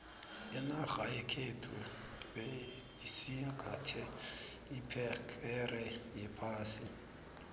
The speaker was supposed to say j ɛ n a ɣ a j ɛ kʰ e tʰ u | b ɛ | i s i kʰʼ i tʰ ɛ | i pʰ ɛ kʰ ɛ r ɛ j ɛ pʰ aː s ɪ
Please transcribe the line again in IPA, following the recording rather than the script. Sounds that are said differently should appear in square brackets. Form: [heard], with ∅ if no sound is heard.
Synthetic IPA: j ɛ n a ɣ a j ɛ kʰ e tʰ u | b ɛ | i s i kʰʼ [a] tʰ ɛ | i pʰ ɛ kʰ ɛ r ɛ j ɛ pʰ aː s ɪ